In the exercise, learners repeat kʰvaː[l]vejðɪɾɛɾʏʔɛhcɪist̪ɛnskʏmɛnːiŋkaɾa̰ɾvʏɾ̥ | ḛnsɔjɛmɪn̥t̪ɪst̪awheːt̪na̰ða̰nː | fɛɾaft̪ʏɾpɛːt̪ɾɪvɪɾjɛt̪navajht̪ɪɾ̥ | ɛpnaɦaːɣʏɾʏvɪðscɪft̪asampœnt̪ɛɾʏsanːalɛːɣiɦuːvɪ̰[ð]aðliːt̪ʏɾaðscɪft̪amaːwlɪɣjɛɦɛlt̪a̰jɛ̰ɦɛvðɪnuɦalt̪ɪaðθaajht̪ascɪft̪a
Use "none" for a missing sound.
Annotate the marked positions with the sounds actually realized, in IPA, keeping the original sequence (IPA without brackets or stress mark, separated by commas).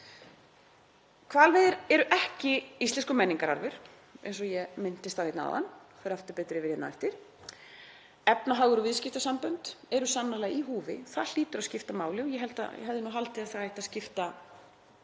l, θ